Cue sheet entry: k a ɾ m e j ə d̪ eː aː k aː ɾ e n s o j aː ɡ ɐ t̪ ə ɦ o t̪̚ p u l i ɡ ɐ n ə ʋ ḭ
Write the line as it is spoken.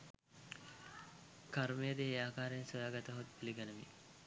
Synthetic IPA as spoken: k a ɾ m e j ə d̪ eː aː k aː ɾ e n s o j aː ɡ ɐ t̪ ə ɦ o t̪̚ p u l i ɡ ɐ n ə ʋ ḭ